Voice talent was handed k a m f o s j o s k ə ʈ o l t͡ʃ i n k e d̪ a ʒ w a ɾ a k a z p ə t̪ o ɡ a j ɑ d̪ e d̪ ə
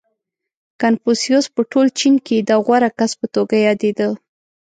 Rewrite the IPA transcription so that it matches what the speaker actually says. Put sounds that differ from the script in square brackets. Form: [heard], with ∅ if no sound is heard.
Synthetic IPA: k a [n] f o s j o s [p] ə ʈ o l t͡ʃ i n k e d̪ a [ɣ] w a ɾ a k a [s] p ə t̪ o ɡ a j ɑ d̪ e d̪ ə